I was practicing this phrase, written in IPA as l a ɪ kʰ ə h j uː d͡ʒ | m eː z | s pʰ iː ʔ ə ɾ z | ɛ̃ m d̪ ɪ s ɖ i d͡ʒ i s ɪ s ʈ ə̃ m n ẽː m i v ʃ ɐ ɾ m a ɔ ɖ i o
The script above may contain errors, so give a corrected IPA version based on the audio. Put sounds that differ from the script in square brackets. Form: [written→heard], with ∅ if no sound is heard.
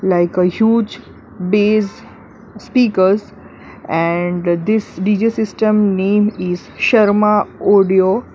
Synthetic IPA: l a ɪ [kʰ→k] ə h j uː d͡ʒ | [m→b] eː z | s [pʰ→p] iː [ʔ→k] ə ɾ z | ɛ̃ [m→ɳ] d̪ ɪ s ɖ i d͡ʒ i s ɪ s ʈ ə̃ m n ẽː m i [v→z] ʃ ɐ ɾ m a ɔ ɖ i o